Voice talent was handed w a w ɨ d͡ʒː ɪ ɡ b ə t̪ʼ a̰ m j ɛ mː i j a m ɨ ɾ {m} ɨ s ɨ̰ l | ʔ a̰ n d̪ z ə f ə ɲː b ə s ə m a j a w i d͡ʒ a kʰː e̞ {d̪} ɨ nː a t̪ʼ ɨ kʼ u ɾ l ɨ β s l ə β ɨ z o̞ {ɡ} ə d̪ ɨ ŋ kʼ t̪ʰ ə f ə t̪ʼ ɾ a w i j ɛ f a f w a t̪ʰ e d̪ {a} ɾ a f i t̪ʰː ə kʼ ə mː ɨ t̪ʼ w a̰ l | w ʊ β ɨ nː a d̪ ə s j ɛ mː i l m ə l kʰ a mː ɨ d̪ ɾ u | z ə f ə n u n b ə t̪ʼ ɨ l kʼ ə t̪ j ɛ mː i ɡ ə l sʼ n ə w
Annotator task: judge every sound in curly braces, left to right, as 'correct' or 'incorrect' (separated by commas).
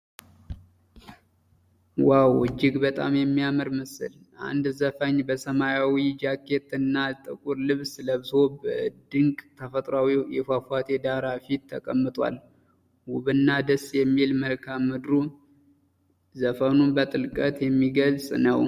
correct, incorrect, incorrect, correct